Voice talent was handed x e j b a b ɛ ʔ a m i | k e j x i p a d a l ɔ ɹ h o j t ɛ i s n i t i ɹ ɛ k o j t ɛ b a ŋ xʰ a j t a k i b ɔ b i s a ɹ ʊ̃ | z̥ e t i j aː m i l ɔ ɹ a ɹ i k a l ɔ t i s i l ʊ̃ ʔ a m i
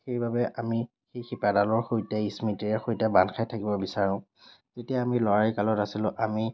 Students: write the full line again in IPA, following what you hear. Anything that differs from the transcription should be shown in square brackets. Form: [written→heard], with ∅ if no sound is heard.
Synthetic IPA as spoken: x e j b a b ɛ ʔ a m i | [k→x] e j x i p a d a l ɔ ɹ [h→x] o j t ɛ i s [n→m] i t i ɹ ɛ [k→x] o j t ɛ b a [ŋ→n] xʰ a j [t→tʰ] a k i b ɔ b i s a ɹ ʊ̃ | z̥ e t i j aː m i l ɔ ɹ a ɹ i k a l ɔ t [i→a] s i l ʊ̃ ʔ a m i